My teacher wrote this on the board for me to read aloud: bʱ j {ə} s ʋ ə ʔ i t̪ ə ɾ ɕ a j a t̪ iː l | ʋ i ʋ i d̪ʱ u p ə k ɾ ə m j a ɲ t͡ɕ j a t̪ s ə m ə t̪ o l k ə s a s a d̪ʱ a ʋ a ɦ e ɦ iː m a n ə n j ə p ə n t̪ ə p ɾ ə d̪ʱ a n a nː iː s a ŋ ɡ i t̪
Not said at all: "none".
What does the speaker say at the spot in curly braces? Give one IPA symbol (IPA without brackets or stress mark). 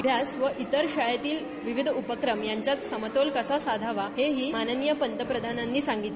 a